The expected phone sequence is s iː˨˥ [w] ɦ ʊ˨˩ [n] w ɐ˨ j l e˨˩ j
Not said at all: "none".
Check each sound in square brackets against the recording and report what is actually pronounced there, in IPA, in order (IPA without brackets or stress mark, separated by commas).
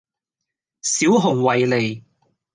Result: w, ŋ